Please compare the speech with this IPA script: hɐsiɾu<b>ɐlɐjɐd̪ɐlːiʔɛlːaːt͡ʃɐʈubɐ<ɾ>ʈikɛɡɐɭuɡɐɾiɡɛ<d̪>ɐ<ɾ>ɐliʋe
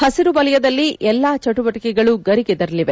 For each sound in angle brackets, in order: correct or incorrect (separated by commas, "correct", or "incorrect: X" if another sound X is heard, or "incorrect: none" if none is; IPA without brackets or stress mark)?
correct, incorrect: none, correct, correct